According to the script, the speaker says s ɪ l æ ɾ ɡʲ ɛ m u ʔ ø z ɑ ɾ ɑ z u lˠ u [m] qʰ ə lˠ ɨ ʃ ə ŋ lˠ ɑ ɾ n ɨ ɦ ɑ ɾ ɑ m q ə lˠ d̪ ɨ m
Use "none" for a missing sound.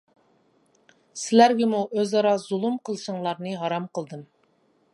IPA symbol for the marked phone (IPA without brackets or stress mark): m